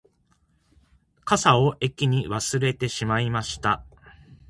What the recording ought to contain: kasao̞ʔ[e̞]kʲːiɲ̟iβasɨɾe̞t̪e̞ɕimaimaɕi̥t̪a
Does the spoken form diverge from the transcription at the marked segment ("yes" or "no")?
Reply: no